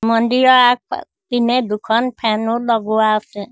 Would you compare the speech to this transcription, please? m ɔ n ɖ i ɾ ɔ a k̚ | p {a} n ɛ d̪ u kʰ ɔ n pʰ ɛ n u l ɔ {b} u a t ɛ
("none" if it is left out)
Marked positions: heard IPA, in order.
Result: i, ɡ

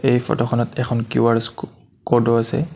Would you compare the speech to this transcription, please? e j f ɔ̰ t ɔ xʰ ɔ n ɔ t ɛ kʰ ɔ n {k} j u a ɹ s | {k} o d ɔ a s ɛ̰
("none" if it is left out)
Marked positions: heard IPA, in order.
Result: k, k

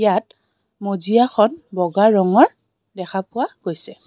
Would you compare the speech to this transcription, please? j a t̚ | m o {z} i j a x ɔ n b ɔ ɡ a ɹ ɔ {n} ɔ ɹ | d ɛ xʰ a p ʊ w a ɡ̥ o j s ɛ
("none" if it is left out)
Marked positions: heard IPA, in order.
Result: z, ŋ

